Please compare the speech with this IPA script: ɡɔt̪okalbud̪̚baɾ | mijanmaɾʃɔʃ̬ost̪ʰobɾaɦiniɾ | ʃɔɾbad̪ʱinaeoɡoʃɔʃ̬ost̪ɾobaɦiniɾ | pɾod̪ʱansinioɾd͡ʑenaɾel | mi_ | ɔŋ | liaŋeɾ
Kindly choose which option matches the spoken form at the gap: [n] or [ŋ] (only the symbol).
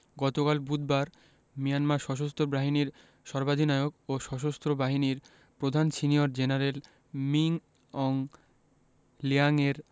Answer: ŋ